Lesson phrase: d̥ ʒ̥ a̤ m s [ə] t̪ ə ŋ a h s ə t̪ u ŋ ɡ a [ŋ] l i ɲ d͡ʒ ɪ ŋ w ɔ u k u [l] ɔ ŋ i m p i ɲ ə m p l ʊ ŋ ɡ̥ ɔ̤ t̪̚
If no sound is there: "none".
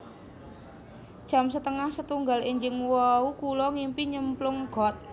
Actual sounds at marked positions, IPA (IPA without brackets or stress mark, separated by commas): ə, none, l